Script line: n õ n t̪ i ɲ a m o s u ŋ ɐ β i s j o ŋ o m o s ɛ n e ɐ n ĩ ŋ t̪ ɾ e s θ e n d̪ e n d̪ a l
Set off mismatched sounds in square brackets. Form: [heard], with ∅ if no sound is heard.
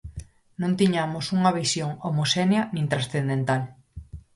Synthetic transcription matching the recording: n õ n t̪ i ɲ a m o s u ŋ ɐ β i s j o ŋ o m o s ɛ n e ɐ n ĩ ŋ t̪ ɾ [a] s θ e n d̪ e n [t̪] a l